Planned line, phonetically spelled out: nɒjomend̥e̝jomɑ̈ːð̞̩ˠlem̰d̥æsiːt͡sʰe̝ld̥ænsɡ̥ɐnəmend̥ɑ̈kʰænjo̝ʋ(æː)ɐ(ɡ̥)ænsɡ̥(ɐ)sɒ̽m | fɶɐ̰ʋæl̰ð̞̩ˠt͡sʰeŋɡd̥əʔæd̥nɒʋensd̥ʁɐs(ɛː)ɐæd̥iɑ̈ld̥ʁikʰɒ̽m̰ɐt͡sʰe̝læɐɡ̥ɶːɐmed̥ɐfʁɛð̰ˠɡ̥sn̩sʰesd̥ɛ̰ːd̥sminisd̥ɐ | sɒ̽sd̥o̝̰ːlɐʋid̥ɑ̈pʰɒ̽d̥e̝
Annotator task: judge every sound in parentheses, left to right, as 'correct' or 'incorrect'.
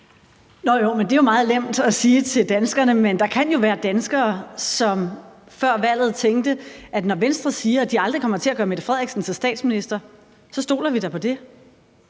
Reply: correct, incorrect: d̥, incorrect: ɐː, incorrect: iː

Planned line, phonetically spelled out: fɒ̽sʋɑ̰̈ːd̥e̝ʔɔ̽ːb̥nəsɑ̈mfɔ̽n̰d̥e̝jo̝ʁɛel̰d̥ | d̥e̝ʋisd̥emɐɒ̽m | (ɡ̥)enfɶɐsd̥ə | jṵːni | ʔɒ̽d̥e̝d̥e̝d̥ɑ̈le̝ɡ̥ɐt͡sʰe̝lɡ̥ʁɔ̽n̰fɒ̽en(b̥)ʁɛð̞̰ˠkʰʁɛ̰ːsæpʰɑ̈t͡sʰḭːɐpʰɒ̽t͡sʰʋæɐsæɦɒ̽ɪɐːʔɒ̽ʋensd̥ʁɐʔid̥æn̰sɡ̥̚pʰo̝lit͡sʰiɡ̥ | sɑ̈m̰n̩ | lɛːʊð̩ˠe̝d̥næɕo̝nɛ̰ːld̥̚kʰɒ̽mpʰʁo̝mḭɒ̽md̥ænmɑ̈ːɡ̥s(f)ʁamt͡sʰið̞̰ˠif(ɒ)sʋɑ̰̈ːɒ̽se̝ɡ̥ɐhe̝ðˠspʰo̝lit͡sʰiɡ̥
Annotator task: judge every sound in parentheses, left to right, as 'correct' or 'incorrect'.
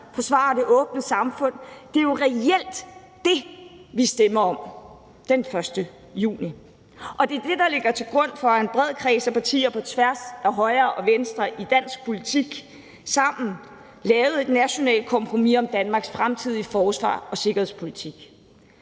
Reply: incorrect: d̥, correct, correct, incorrect: ɒː

